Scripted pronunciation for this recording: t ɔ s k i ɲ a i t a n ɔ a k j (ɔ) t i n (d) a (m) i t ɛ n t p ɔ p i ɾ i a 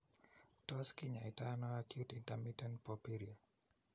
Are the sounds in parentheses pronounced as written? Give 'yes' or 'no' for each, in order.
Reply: no, no, yes

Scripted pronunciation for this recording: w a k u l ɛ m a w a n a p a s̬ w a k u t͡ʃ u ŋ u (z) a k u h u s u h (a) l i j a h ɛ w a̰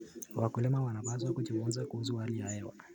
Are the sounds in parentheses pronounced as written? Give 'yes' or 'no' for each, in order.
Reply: yes, yes

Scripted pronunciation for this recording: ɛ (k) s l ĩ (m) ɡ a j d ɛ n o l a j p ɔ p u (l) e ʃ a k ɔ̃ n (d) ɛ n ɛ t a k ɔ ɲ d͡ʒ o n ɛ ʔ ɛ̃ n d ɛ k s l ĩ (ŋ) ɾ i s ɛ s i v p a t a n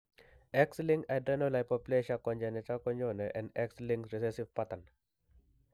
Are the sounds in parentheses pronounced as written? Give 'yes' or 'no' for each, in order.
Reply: yes, no, yes, no, yes

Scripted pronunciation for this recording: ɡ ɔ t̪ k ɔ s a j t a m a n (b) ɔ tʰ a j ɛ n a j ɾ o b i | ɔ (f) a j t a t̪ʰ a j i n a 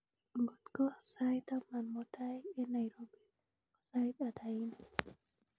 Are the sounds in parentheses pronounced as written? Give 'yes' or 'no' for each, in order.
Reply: no, no

